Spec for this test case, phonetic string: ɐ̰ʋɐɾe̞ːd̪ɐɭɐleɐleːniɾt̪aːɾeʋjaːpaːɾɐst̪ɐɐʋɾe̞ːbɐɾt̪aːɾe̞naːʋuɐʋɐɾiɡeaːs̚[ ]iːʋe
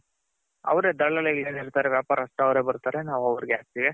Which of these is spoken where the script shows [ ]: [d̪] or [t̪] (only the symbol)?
t̪